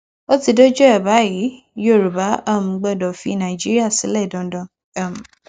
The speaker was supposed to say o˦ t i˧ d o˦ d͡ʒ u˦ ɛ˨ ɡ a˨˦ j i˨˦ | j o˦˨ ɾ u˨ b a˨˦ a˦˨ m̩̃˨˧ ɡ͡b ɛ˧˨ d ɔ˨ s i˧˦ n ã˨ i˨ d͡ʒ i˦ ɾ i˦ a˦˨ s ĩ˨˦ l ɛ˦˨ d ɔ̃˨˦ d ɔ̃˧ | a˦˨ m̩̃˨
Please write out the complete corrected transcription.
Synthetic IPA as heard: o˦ t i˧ d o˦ d͡ʒ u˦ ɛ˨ b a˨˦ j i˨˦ | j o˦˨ ɾ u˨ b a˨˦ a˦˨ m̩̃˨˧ ɡ͡b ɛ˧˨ d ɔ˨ f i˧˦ n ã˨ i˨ d͡ʒ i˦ ɾ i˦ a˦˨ s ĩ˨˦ l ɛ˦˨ d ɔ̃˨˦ d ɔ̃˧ | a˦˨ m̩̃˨